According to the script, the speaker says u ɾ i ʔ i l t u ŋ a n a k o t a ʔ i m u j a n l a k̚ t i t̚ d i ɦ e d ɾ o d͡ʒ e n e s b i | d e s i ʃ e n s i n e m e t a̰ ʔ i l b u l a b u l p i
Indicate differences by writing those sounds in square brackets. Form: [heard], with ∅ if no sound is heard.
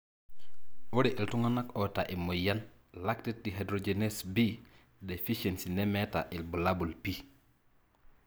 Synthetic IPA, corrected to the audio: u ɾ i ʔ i l t u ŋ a n a k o t a ʔ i m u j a n l a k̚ t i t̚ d i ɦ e d ɾ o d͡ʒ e n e s b i | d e [f] i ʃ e n s i n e m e t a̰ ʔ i l b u l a b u l p i